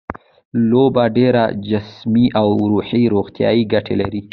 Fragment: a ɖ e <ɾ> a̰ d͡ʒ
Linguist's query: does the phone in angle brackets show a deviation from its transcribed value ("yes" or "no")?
no